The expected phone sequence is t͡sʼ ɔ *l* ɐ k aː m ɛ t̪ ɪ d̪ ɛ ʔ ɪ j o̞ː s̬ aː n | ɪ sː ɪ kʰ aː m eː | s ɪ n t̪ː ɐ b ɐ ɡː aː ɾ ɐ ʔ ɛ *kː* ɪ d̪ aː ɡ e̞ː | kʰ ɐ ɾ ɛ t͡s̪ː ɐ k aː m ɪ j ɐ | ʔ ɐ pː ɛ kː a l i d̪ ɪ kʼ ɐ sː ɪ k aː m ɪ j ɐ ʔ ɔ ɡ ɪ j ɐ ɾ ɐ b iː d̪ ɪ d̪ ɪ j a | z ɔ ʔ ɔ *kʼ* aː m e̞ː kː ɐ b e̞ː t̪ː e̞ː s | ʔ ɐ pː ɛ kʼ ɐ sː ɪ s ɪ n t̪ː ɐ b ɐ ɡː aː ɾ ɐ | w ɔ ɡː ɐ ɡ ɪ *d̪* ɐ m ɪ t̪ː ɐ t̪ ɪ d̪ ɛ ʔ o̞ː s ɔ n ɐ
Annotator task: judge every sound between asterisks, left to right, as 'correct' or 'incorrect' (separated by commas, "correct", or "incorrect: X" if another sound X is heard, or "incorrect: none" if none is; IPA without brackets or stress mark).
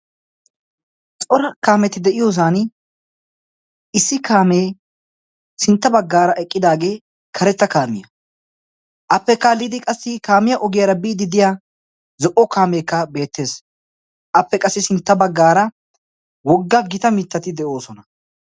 incorrect: ɾ, incorrect: kʼː, incorrect: k, incorrect: t̪